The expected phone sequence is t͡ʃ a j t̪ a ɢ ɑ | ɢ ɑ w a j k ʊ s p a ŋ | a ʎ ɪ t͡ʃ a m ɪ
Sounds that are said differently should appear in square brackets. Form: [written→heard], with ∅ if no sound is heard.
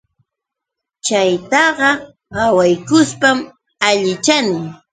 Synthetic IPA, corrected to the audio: t͡ʃ a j t̪ [a→ɑ] ɢ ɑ | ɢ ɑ w a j k ʊ s p a [ŋ→m] | a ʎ ɪ t͡ʃ a [m→n] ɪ